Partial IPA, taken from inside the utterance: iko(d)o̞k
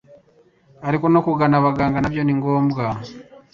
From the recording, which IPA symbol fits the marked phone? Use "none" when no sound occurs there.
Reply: n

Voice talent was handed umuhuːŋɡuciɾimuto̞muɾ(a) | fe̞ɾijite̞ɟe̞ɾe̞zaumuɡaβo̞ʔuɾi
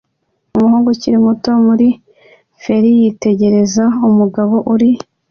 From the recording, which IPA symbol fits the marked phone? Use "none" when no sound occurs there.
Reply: i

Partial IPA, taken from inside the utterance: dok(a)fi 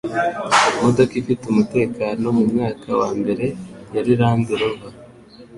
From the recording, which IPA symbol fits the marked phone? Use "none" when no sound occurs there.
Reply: i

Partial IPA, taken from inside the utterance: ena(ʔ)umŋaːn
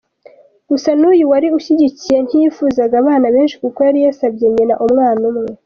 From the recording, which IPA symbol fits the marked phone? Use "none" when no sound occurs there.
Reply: ʔ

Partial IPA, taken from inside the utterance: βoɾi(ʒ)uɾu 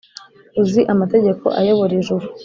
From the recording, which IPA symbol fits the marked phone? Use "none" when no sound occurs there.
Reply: ʒ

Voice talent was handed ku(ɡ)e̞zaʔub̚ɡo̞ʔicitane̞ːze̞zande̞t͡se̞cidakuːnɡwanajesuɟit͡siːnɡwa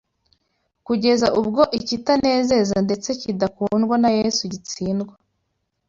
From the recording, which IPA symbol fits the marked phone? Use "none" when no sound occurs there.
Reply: ɟ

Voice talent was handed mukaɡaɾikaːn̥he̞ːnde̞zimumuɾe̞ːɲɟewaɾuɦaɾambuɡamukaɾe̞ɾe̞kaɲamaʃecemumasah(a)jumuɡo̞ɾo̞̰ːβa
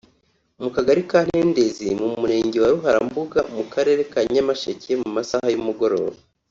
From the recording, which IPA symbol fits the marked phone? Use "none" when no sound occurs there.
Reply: a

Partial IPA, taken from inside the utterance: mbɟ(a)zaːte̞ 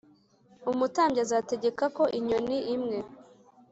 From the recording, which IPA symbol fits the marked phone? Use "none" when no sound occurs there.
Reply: a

